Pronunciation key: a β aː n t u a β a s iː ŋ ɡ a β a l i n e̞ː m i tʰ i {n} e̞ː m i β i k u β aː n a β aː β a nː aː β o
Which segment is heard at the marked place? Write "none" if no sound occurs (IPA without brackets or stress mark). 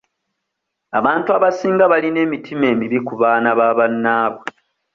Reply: m